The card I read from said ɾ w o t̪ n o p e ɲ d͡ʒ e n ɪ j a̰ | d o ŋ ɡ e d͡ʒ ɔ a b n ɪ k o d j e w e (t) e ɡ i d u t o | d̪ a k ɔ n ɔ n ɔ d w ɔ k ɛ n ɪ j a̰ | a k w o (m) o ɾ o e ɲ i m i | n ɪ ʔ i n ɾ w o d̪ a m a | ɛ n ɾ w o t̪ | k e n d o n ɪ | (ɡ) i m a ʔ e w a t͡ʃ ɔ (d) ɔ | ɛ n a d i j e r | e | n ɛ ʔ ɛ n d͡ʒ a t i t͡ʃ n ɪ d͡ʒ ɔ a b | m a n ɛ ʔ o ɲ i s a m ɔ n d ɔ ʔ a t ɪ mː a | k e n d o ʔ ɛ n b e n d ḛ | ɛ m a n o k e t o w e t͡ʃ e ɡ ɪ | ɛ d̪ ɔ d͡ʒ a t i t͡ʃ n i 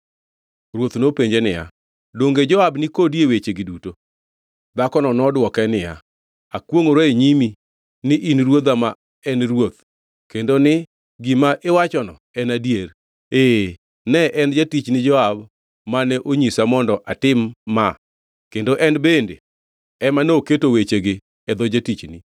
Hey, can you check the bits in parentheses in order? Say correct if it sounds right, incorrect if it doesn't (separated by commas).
incorrect, incorrect, correct, incorrect